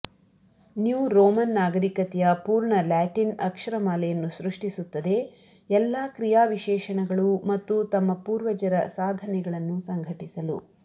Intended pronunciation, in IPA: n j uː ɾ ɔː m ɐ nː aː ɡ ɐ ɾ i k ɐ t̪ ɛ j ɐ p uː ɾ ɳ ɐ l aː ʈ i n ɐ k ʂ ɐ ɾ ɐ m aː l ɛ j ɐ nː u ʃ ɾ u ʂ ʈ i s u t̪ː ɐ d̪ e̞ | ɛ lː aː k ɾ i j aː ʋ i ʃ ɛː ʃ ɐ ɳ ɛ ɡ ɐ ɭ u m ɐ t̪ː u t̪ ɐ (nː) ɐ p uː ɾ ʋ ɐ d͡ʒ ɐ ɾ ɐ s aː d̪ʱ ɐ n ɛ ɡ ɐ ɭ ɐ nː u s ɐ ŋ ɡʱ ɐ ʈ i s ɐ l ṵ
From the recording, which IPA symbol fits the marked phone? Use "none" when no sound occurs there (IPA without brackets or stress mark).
mː